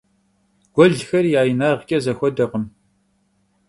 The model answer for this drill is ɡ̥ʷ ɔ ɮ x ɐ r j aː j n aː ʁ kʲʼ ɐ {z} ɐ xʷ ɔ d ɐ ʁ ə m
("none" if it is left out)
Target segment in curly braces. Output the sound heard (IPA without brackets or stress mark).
z